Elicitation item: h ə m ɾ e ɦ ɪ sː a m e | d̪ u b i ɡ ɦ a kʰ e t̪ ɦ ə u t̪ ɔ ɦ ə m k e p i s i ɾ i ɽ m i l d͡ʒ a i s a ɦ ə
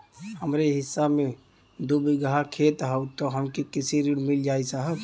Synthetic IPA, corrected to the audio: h ə m ɾ e ɦ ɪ sː a m e | d̪ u b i ɡ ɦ a kʰ e t̪ ɦ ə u t̪ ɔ ɦ ə m k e k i s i ɾ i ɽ m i l d͡ʒ a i s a ɦ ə